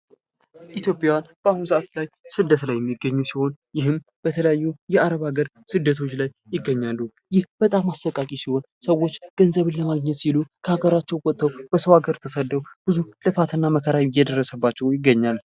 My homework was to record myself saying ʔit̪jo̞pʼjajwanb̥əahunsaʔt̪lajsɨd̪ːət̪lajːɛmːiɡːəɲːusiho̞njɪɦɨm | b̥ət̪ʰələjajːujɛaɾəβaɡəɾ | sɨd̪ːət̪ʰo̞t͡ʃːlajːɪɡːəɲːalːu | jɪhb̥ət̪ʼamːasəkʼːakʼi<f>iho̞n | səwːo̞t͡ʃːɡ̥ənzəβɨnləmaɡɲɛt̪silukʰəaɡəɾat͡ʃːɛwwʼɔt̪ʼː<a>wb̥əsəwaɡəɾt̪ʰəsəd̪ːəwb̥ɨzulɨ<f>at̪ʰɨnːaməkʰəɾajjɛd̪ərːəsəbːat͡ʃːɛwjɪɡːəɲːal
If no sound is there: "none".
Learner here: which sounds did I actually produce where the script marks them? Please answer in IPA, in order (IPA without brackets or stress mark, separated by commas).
s, ə, f